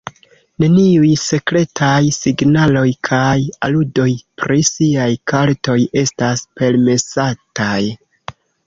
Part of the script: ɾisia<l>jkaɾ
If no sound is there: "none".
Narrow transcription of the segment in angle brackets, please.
none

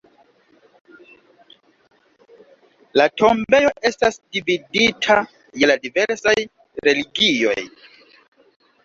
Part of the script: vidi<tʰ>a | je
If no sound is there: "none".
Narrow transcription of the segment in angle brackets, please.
tʰ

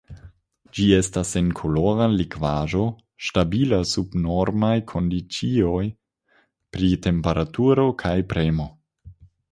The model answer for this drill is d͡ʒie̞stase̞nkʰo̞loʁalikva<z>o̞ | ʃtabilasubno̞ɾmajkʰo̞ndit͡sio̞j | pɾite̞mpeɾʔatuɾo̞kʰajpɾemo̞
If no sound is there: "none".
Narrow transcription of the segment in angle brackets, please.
ʒ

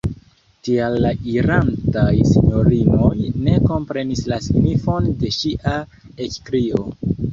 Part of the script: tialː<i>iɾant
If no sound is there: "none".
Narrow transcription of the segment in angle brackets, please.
a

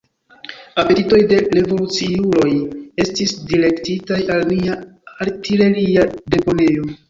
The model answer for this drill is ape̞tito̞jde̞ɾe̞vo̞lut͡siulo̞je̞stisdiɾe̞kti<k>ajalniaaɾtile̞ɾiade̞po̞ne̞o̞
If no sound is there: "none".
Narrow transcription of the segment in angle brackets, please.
t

